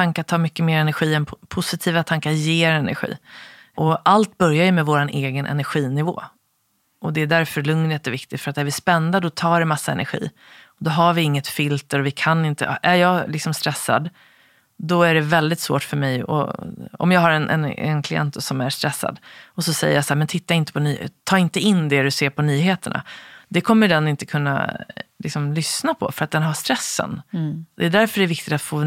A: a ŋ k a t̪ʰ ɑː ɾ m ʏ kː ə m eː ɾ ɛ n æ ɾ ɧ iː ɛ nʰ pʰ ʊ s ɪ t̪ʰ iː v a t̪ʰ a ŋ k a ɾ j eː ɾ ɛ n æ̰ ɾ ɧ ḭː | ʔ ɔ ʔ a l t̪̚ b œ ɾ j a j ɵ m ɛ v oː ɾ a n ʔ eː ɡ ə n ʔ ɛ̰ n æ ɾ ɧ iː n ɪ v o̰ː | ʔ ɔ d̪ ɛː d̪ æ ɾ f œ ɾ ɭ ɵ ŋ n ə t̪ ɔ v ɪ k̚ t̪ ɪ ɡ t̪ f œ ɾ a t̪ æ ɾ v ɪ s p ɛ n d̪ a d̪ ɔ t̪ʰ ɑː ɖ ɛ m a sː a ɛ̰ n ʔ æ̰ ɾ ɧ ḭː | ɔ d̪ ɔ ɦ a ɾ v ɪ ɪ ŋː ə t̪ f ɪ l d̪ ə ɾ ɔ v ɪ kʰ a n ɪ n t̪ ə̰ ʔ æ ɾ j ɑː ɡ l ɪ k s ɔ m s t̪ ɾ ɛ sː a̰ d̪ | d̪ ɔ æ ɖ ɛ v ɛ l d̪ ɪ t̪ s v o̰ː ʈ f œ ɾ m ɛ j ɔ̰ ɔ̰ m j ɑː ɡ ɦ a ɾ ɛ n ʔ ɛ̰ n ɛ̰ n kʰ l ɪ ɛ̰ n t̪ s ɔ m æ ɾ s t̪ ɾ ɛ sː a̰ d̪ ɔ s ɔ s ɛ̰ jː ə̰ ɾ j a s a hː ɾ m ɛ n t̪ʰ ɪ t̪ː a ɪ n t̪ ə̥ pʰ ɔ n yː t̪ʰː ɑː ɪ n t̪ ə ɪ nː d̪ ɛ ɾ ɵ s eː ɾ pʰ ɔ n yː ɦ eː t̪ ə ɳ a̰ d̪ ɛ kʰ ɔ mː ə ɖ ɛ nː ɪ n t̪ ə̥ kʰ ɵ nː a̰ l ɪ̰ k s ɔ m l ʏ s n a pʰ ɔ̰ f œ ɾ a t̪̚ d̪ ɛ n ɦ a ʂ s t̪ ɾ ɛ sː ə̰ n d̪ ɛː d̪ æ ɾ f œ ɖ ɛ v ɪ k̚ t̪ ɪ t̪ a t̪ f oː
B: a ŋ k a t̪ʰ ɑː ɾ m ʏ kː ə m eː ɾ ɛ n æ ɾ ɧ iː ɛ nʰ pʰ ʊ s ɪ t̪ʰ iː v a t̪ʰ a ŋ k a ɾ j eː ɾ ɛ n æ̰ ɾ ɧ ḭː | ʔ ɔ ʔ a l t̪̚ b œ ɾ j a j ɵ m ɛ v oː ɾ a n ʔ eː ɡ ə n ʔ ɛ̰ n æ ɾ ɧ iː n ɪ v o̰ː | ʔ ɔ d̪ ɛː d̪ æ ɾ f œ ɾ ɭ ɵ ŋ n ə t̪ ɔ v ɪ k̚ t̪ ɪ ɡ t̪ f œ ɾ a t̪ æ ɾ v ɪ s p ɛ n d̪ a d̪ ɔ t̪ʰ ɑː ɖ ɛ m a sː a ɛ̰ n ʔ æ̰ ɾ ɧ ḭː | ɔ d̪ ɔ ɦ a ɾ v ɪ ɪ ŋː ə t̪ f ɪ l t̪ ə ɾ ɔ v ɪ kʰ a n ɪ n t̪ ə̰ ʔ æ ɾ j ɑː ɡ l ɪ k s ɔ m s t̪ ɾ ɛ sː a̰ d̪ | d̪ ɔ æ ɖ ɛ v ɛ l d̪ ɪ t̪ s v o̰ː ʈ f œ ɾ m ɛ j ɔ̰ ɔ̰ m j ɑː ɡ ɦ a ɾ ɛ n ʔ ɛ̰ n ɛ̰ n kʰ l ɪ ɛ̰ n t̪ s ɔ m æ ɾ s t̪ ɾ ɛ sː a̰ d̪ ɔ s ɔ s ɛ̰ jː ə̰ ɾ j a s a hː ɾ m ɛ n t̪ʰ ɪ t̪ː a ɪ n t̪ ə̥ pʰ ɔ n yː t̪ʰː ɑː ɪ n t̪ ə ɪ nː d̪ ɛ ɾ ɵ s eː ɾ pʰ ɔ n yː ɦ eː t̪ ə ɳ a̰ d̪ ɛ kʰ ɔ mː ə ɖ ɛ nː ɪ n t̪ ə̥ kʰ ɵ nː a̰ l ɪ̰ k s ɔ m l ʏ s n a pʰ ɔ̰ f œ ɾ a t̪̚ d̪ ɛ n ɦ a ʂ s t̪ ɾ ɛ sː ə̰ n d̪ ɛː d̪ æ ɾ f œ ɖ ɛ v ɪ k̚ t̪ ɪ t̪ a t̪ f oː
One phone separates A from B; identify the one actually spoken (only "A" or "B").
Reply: B